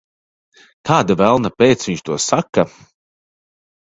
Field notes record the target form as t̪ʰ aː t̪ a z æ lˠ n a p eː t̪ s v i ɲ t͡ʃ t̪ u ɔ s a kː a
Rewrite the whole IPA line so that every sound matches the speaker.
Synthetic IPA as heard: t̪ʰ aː d̪ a v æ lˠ n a p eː t̪ s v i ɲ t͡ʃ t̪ u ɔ s a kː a